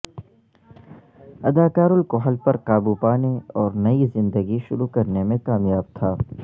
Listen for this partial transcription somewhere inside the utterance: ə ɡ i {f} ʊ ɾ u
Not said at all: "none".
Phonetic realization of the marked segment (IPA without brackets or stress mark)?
ʃ